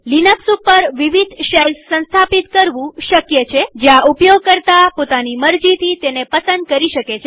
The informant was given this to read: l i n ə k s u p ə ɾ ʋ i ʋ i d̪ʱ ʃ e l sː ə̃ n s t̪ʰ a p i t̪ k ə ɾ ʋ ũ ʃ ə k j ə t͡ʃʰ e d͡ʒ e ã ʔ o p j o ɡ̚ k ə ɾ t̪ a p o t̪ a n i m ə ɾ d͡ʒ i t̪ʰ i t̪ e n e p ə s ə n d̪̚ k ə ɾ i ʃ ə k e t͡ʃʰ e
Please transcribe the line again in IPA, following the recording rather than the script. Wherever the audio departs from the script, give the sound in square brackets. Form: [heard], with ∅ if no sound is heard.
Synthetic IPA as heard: l i n ə k s u p ə ɾ ʋ i ʋ i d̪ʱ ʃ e l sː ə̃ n s t̪ʰ a p i t̪ k ə ɾ ʋ ũ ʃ ə k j ə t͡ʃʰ e d͡ʒ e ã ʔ [u] p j o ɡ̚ k ə ɾ t̪ a p o t̪ a n i m ə ɾ d͡ʒ i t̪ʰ i t̪ e n e p ə s ə n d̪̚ k ə ɾ i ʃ ə k e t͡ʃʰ e